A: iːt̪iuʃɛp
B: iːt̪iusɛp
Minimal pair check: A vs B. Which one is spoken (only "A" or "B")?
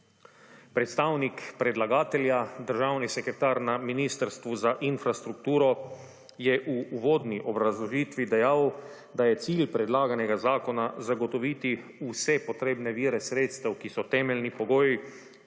B